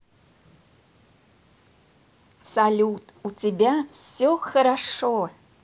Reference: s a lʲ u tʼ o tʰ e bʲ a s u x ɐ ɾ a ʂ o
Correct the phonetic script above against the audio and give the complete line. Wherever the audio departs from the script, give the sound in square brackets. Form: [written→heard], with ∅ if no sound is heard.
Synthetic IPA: s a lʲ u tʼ [o→u] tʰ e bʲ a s [u→o] x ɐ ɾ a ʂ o